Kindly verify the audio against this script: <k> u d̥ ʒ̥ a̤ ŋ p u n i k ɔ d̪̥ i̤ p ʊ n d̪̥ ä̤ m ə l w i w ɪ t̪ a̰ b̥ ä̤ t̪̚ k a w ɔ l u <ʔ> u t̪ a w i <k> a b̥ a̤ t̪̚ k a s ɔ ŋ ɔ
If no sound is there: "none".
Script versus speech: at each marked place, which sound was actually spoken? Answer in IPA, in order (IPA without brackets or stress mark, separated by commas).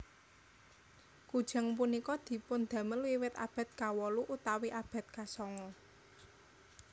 k, ʔ, ʔ